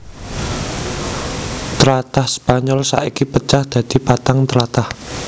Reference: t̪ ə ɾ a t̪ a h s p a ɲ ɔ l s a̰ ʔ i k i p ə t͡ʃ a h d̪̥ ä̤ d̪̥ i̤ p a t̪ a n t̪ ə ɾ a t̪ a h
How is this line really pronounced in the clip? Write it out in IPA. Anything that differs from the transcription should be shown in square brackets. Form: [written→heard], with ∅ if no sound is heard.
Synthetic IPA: t̪ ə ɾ a t̪ a h s p a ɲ ɔ l s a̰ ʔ i k i p ə t͡ʃ a h d̪̥ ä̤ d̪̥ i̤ p a t̪ a [n→ŋ] t̪ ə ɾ a t̪ a h